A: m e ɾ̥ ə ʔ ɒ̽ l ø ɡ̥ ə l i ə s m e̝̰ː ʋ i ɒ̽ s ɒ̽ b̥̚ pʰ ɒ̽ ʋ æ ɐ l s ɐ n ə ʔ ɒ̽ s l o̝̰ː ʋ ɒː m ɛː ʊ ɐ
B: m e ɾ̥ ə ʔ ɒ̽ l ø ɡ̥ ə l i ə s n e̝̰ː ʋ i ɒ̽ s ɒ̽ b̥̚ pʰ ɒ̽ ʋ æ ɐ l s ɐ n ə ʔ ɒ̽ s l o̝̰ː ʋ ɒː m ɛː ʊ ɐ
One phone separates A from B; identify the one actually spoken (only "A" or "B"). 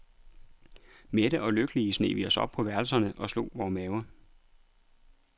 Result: B